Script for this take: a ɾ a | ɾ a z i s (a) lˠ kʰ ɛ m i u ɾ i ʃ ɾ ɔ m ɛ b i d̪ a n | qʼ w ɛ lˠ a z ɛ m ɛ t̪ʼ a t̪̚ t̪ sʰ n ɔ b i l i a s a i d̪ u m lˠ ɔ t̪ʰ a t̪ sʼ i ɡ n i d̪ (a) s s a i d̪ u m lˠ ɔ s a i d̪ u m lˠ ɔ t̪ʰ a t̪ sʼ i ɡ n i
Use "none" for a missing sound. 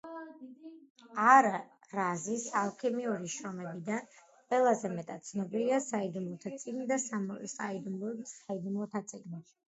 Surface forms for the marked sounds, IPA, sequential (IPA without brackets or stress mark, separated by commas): a, a